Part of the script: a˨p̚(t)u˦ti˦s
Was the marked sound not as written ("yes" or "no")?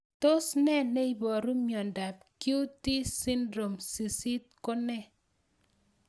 yes